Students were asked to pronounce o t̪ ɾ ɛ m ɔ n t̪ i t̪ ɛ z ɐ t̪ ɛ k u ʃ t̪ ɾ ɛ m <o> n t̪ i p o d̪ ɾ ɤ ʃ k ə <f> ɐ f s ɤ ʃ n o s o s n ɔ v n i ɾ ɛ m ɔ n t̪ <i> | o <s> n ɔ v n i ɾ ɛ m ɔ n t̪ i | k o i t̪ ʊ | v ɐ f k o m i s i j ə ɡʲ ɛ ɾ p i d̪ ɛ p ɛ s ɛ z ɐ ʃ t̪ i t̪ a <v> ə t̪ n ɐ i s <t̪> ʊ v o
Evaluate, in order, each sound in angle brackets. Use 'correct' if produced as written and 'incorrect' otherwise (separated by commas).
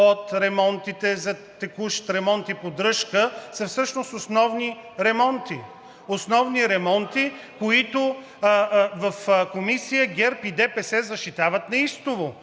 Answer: incorrect, incorrect, correct, correct, correct, correct